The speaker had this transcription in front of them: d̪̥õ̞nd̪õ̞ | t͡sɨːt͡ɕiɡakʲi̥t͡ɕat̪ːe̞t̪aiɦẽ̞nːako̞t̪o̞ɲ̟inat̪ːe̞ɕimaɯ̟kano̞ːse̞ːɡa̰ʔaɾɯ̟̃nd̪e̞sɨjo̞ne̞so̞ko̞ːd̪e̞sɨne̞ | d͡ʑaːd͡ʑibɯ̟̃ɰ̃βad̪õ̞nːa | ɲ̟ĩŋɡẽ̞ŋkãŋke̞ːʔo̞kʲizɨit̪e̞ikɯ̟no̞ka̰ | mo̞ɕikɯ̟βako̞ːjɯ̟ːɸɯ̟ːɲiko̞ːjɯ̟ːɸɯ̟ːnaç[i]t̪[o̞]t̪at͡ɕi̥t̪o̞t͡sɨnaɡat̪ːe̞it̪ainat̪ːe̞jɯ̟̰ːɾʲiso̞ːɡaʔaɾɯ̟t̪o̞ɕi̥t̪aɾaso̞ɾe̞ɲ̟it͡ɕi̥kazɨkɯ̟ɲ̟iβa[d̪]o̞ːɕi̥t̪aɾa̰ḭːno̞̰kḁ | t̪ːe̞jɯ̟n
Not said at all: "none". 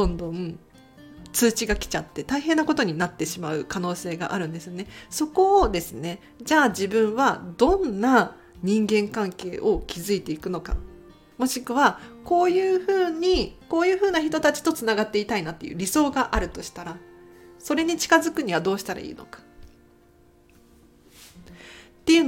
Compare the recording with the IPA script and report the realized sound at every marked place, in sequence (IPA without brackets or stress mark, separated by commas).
i, o̞, d̪